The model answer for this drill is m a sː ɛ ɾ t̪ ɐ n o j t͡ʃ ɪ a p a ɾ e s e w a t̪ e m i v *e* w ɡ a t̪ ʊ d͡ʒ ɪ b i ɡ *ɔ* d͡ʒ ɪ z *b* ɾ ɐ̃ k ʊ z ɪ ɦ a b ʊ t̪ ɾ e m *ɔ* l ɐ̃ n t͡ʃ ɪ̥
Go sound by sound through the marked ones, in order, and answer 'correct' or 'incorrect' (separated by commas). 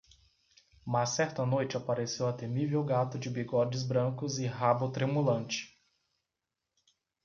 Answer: correct, correct, correct, incorrect